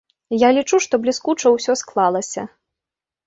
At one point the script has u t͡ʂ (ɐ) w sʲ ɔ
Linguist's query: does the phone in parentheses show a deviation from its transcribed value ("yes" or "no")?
no